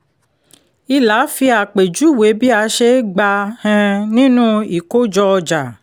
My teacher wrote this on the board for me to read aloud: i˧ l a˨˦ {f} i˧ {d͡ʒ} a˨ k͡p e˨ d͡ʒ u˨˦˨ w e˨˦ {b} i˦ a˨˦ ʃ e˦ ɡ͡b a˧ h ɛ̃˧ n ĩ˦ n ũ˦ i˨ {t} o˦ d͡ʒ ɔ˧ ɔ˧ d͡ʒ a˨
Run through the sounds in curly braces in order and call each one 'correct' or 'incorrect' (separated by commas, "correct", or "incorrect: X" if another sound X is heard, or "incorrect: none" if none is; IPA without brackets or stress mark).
correct, incorrect: none, correct, incorrect: k